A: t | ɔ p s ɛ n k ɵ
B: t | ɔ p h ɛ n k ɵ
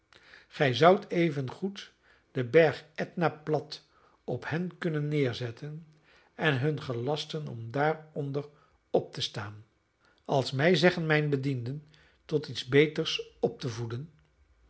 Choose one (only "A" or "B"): B